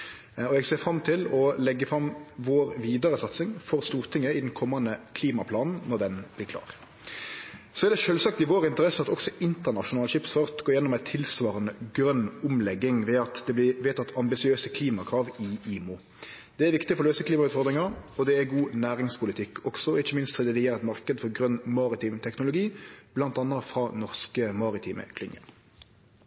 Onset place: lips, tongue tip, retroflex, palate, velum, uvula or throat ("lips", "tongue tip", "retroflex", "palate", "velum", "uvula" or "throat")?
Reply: velum